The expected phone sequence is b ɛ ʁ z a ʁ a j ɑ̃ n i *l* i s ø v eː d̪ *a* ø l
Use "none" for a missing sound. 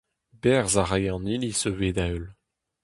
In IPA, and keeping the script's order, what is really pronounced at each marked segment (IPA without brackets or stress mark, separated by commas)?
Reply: l, a